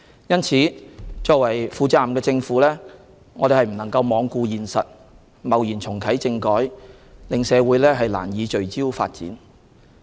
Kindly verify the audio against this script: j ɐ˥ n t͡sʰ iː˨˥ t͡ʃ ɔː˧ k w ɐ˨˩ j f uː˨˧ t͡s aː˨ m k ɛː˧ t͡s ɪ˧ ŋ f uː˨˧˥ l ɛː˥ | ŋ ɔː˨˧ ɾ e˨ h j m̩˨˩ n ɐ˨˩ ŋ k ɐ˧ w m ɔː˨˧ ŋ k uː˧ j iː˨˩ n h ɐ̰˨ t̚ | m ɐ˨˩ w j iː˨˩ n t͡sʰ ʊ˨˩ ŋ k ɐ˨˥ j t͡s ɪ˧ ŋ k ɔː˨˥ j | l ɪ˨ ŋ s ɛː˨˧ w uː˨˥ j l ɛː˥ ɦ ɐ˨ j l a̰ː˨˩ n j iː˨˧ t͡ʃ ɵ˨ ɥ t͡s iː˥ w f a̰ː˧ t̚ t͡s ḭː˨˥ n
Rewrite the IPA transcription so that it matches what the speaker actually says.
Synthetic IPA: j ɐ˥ n t͡sʰ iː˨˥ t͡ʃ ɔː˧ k w ɐ˨˩ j f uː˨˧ t͡s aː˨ m k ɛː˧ t͡s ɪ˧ ŋ f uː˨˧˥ l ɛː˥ | ŋ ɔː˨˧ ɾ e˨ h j m̩˨˩ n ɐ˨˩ ŋ k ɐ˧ w m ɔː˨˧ ŋ k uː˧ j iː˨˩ n s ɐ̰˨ t̚ | m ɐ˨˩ w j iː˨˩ n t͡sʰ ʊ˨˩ ŋ kʰ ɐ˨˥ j t͡s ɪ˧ ŋ k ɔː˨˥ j | l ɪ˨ ŋ s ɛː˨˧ w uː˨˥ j l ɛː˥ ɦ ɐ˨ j l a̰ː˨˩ n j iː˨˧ t͡ʃ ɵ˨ ɥ t͡s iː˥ w f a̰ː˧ t̚ t͡s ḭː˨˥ n